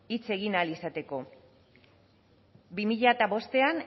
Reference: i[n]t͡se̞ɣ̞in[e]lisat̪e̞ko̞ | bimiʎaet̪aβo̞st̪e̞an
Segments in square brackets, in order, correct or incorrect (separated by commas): incorrect, incorrect